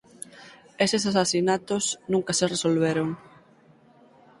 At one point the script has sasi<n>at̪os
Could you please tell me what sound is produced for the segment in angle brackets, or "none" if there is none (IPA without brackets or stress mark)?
n